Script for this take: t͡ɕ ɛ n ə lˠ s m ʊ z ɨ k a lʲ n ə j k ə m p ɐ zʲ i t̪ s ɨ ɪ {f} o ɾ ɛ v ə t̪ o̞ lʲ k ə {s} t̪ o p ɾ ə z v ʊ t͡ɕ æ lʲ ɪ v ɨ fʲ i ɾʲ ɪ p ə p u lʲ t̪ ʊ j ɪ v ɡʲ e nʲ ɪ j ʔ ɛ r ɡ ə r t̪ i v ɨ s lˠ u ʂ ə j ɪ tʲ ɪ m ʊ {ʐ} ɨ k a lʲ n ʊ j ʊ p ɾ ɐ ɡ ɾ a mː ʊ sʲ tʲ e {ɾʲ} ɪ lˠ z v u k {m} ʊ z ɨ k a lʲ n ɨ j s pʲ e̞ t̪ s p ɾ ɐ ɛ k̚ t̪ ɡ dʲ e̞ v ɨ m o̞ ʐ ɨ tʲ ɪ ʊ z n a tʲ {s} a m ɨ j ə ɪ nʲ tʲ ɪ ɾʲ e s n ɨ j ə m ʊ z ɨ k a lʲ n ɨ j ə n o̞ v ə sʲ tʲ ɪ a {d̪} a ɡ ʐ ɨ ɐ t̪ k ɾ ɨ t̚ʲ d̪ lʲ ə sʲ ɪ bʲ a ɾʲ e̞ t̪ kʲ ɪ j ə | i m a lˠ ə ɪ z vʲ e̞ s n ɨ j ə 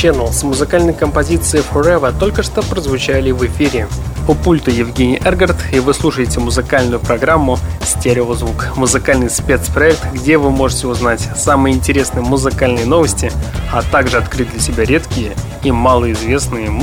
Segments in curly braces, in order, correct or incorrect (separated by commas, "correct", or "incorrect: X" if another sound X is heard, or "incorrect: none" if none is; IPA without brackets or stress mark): correct, incorrect: ʂ, incorrect: z, correct, correct, correct, incorrect: t̪